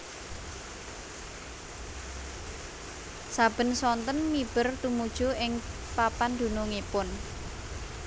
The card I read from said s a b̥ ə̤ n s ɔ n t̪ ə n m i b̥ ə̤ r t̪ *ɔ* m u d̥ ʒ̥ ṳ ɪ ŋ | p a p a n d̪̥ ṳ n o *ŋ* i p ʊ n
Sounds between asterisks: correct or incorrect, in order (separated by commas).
incorrect, correct